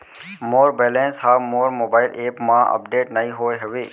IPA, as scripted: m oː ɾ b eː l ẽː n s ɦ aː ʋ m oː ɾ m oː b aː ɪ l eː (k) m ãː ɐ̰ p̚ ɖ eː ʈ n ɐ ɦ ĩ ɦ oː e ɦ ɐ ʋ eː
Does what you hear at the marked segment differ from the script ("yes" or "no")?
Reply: yes